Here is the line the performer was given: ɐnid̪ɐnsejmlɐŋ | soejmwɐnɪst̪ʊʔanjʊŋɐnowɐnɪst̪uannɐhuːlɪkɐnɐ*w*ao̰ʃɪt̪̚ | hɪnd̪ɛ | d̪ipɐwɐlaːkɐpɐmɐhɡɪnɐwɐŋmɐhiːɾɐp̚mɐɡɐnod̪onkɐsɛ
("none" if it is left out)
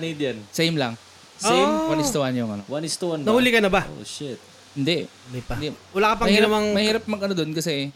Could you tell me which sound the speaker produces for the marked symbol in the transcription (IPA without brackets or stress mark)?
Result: b